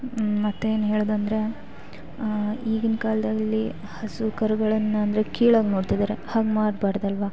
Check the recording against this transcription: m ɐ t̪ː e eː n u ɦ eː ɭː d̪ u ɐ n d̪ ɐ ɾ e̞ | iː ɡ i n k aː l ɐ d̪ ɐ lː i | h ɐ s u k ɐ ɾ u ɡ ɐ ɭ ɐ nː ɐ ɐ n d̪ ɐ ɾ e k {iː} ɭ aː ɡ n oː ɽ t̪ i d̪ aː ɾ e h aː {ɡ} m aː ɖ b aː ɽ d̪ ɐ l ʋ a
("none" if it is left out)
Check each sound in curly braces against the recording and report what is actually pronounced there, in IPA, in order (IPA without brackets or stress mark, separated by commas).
iː, ɡ